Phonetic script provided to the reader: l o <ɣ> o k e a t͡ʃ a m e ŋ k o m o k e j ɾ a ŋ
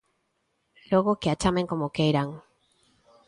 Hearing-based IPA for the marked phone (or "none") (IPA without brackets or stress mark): ɣ